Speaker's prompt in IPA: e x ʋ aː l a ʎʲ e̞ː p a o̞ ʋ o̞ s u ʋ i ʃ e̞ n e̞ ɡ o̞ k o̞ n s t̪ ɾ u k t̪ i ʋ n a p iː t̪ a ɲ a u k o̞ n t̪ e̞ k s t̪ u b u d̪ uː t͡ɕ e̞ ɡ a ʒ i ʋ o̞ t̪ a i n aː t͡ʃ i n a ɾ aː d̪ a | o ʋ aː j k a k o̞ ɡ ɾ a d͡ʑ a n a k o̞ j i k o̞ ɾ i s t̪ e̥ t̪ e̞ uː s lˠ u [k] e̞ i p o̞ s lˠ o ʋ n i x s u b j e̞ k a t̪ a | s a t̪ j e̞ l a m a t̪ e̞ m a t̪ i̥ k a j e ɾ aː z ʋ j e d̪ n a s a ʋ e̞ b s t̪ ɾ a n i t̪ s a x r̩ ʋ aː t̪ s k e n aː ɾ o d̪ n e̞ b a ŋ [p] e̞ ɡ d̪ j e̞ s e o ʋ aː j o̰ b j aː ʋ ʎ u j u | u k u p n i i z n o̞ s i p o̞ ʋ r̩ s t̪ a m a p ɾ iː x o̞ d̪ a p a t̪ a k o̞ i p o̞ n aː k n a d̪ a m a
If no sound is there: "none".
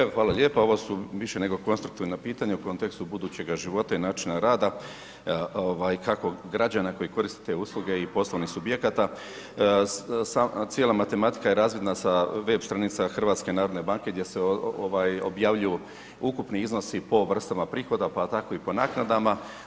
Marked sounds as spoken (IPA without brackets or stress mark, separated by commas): ɡ, k